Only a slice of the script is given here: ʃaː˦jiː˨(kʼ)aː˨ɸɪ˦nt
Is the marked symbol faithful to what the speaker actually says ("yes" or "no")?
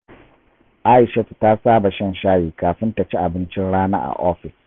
no